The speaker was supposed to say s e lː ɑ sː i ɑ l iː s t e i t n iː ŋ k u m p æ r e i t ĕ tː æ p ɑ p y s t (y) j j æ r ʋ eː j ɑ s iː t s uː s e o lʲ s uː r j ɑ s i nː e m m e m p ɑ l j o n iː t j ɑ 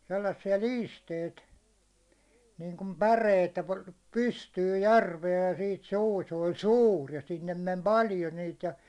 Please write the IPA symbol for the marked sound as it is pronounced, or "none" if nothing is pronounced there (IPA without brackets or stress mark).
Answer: yː